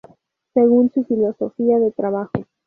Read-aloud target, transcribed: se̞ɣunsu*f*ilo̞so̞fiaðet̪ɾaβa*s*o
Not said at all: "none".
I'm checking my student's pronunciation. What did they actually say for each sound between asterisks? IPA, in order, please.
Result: f, x

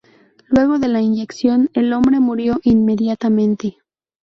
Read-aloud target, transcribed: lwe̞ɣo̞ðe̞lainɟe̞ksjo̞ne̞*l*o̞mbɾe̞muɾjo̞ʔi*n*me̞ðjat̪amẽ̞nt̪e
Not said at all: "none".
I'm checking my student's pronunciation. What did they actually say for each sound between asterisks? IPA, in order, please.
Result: l, n

